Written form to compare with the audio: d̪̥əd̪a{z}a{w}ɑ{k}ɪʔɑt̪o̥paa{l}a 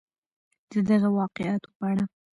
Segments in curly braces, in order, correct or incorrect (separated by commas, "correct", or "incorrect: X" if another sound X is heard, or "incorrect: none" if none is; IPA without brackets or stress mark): incorrect: ɣ, correct, incorrect: q, incorrect: ɽ